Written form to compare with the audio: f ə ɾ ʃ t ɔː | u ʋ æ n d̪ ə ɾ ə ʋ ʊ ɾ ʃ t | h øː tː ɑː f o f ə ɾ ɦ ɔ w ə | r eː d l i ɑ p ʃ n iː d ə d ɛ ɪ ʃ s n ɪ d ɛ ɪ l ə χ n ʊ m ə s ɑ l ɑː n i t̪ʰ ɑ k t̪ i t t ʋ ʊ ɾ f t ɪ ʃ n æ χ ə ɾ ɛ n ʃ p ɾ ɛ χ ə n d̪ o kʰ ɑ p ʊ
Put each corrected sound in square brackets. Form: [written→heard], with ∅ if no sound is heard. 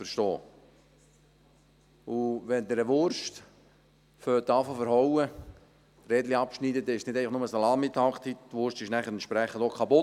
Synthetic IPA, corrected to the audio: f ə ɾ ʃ t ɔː | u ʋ [æ→ɛ] n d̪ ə ɾ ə ʋ ʊ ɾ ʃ t | [h→f] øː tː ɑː f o f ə ɾ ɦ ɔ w ə | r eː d l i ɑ p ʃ n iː d ə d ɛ ɪ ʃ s n ɪ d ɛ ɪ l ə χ n ʊ m ə s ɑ l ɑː [n→m] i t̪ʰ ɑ k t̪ i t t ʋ ʊ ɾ [f→ʃ] t ɪ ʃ n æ χ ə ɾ ɛ n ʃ p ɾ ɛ χ ə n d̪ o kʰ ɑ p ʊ